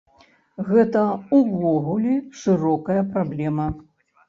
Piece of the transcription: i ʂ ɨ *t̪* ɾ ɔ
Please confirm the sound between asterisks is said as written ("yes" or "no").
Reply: no